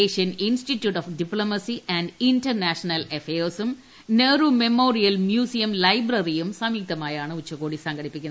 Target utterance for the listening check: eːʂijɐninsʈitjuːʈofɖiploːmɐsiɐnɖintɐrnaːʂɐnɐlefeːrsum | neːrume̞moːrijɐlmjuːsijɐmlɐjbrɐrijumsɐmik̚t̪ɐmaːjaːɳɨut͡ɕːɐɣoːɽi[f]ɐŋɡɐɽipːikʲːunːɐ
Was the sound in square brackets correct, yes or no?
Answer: no